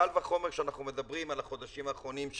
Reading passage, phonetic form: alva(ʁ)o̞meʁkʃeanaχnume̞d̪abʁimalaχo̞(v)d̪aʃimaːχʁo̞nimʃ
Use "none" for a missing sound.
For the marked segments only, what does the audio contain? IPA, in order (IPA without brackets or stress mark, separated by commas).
χ, none